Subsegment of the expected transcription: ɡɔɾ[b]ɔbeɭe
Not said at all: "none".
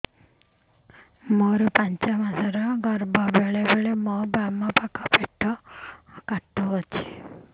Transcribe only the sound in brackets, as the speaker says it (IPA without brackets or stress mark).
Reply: b